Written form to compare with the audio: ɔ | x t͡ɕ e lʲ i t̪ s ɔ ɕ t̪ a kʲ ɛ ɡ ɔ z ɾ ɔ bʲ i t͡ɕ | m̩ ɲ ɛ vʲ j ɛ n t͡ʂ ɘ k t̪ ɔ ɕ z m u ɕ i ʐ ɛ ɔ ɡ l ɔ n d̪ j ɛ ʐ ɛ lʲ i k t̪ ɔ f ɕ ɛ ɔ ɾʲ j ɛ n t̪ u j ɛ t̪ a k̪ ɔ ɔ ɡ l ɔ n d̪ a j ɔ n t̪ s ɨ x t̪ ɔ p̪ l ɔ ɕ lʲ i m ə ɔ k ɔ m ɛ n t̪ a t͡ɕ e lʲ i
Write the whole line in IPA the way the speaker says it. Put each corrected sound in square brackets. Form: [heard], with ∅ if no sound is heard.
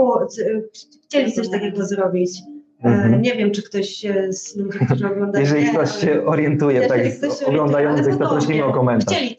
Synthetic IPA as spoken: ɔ | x t͡ɕ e lʲ i t̪ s ɔ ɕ t̪ a kʲ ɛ ɡ ɔ z ɾ ɔ bʲ i t͡ɕ | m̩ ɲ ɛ vʲ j ɛ [m] t͡ʂ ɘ k t̪ ɔ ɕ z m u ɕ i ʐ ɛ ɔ ɡ l ɔ n d̪ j ɛ ʐ ɛ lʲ i k t̪ ɔ [ɕ] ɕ ɛ ɔ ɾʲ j ɛ n t̪ u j ɛ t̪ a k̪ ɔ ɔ ɡ l ɔ n d̪ a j ɔ n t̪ s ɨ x t̪ ɔ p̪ [ɾ] ɔ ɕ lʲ i m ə ɔ k ɔ m ɛ n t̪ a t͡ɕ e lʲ i